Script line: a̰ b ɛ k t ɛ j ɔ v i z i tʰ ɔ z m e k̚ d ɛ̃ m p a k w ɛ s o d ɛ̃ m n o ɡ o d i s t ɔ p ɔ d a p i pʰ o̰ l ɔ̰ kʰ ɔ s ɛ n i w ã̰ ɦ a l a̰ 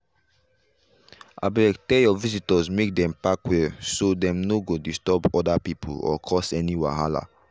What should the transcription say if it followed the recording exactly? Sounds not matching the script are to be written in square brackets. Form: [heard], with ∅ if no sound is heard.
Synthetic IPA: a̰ b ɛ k t ɛ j ɔ v i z i [t] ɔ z m e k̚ d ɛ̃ m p a k w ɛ s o d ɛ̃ m n o ɡ o d i s t ɔ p ɔ d a p i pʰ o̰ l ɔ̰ kʰ ɔ s ɛ n i w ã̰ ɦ a l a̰